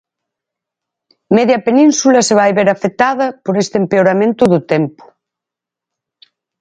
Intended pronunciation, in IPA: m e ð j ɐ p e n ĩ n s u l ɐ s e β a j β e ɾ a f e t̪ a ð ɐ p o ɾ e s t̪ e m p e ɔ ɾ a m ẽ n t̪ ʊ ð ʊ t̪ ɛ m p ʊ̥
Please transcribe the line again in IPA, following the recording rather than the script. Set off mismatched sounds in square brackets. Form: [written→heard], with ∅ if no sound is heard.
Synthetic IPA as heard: m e ð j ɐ p e n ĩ n s u l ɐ s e β a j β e ɾ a f e t̪ a ð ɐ p o ɾ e s t̪ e m p e [ɔ→o] ɾ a m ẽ n t̪ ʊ ð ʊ t̪ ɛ m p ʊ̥